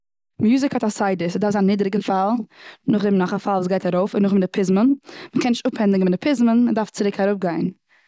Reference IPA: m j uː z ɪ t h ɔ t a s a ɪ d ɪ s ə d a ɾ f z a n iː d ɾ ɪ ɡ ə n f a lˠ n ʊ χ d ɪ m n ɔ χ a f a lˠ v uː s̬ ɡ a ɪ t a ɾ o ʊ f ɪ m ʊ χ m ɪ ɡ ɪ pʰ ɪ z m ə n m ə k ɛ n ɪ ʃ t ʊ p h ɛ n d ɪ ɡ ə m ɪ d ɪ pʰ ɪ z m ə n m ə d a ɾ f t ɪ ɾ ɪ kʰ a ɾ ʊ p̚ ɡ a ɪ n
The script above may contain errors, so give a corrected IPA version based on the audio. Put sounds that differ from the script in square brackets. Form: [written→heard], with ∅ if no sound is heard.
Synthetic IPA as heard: m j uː z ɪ [t→k] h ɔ t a s a ɪ d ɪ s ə d a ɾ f z a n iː d ɾ ɪ ɡ ə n f a lˠ n ʊ χ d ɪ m n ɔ χ a f a lˠ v uː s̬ ɡ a ɪ t a ɾ o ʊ f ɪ [m→n] ʊ χ m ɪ [ɡ→d] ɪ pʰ ɪ z m ə n m ə k ɛ n ɪ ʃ t ʊ p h ɛ n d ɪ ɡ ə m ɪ d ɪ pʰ ɪ z m ə n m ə d a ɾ f [t→t͡s] ɪ ɾ ɪ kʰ a ɾ ʊ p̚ ɡ a ɪ n

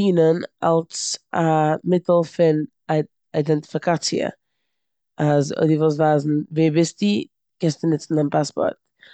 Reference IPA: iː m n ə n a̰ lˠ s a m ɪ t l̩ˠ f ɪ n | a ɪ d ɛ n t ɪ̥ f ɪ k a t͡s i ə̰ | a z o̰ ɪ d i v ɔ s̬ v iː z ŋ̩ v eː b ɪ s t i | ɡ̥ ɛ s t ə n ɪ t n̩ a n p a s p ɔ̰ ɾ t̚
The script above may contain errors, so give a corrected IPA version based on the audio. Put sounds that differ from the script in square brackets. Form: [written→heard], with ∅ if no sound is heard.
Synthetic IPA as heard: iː [m→∅] n ə n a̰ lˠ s a m ɪ t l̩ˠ f ɪ n | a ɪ d ɛ n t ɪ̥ f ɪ k a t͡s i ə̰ | a z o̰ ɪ d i v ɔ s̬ v [iː→aː] z [ŋ̩→n̩] v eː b ɪ s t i | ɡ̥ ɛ s t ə n ɪ [t→t͡s] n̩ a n p a s p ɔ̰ ɾ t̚

